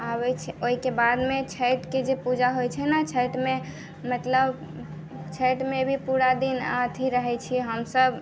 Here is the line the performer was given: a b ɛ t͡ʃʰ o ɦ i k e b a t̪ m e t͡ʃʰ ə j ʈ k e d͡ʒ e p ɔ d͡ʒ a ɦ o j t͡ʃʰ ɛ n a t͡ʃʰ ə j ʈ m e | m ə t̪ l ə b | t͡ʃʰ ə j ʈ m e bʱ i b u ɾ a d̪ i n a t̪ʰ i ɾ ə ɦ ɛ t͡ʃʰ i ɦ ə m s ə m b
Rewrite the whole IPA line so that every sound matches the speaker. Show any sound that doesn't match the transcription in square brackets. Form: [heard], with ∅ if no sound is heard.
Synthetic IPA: a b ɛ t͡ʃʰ o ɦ i k e b a [d̪] m e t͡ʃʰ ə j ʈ k e d͡ʒ e p [u] d͡ʒ a ɦ o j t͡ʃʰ ɛ n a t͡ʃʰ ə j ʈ m e | m ə t̪ l ə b | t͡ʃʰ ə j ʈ m e bʱ i [p] u ɾ a d̪ i n a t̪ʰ i ɾ ə ɦ ɛ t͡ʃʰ i ɦ ə m s ə [∅] b